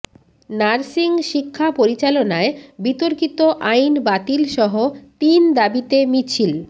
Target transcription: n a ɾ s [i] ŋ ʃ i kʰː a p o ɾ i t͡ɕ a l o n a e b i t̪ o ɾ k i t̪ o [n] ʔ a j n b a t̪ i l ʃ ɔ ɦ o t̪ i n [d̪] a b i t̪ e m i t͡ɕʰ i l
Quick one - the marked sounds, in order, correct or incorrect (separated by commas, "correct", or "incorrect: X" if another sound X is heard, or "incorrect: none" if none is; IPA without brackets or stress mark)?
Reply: correct, incorrect: none, correct